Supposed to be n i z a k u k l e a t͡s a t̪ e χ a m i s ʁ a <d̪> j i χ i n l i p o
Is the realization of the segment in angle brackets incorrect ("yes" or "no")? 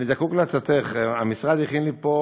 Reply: no